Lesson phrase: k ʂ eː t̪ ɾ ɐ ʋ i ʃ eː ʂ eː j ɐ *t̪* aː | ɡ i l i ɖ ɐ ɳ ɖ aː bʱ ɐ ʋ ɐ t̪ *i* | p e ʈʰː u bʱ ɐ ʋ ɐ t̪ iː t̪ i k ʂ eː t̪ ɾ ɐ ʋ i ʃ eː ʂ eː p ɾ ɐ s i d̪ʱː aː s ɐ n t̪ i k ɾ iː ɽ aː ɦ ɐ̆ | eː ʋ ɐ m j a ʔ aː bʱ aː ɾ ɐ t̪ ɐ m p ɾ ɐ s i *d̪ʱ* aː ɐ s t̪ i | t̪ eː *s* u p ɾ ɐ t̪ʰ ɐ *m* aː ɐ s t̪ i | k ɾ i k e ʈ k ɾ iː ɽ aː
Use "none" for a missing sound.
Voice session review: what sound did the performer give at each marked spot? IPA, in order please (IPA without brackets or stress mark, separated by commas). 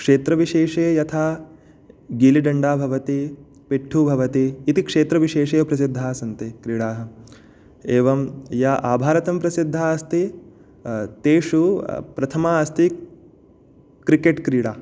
t̪ʰ, i, d̪ʱː, ʂ, m